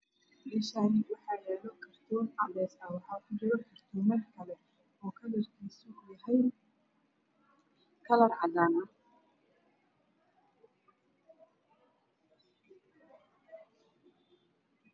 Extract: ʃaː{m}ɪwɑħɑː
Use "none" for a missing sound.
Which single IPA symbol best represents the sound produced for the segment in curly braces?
n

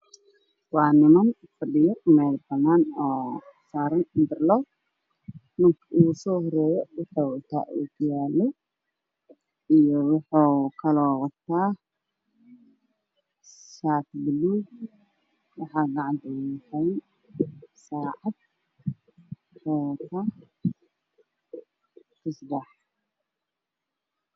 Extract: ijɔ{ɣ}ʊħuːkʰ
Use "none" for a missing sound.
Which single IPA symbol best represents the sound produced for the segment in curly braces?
w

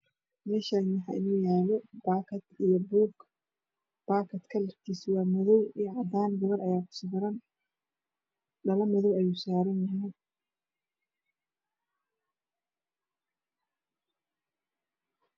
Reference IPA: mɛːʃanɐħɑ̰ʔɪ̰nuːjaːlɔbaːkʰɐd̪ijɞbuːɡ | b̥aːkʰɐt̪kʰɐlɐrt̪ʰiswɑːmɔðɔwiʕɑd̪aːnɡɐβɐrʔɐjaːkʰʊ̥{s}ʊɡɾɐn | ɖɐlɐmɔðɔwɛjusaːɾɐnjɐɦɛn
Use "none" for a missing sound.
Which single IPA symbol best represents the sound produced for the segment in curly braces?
s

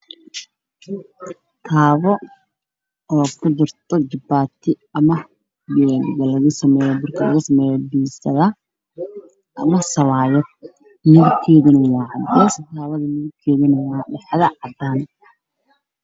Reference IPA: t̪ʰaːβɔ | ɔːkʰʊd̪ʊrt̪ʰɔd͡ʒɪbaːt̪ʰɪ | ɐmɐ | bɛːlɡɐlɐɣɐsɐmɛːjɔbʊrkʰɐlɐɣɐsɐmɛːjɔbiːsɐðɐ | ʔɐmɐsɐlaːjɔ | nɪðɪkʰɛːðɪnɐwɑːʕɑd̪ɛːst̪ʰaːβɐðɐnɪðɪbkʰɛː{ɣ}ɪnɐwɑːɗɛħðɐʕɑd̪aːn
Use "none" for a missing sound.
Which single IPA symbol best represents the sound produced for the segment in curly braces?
ð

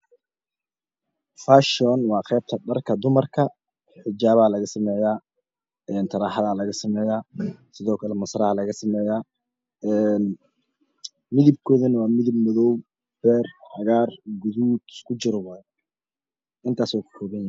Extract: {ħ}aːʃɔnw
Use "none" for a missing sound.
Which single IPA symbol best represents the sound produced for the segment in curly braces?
f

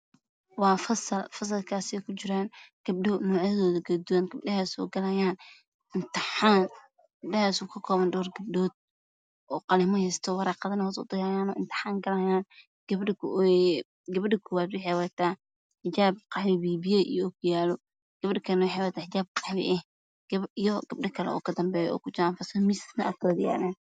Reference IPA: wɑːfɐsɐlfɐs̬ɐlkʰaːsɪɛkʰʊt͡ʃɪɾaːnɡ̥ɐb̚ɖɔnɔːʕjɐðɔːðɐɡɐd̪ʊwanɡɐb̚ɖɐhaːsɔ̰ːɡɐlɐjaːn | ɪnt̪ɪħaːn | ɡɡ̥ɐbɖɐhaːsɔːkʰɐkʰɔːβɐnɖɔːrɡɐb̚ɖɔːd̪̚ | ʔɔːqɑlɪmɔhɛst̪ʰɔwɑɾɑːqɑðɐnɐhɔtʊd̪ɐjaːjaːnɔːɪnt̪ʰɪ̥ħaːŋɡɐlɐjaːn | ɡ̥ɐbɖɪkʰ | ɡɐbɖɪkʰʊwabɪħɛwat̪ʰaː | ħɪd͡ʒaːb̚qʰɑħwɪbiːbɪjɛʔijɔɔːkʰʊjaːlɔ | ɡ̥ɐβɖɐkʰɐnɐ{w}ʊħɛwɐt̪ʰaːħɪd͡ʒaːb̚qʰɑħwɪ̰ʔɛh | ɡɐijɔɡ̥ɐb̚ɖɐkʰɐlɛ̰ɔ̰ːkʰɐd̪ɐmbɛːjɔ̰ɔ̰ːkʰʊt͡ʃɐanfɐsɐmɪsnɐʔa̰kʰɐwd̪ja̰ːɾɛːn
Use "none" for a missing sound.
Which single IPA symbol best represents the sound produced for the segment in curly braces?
w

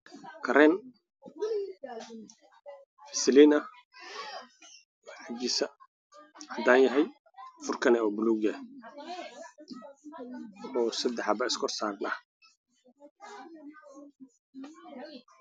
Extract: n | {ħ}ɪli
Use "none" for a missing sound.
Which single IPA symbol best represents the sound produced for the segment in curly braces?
s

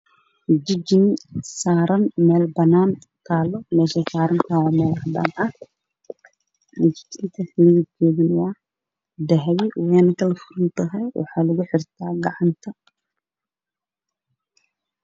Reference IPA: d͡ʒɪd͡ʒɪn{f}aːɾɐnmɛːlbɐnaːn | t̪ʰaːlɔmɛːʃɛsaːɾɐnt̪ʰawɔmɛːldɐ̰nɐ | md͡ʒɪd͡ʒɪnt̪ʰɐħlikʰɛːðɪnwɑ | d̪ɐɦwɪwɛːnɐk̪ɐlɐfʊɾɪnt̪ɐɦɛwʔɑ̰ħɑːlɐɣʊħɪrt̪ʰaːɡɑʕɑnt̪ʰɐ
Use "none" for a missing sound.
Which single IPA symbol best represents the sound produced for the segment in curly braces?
s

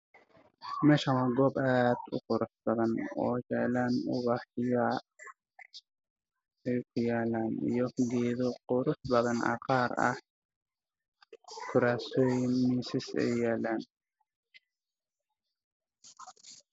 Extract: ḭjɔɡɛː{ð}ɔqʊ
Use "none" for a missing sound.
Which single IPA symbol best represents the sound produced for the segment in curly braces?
ð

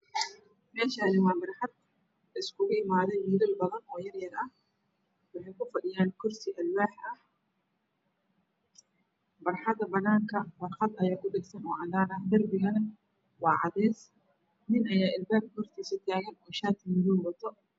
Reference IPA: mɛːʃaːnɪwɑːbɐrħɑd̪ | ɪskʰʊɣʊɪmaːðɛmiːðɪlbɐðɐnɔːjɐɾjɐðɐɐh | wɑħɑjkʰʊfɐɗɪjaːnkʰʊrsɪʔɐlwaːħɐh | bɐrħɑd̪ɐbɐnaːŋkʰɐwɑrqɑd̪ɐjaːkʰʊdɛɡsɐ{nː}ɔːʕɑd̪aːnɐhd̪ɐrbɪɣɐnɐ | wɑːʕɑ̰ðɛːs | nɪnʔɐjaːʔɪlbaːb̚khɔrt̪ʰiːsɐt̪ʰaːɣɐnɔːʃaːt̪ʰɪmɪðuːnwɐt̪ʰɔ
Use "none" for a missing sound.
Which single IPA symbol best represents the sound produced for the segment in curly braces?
n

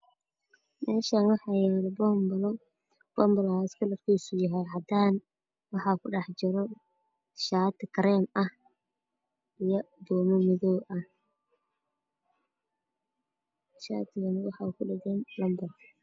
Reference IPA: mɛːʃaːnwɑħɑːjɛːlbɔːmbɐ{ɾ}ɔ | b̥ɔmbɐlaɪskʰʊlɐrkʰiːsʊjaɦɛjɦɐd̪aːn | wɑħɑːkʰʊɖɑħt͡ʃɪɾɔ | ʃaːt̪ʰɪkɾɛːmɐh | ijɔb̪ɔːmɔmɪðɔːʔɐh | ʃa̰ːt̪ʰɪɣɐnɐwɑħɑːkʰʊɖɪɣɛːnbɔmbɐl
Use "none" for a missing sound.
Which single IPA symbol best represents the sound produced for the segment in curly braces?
l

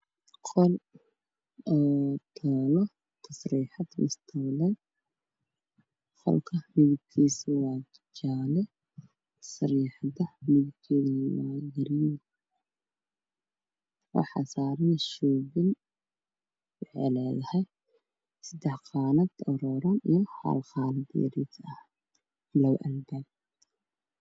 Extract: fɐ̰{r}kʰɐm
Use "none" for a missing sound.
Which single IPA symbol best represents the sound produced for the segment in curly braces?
l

